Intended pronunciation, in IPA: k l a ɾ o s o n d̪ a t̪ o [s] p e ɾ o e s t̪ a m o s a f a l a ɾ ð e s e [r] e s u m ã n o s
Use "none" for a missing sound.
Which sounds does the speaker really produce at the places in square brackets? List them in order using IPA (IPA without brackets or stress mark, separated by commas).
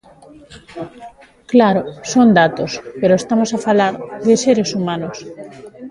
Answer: s, ɾ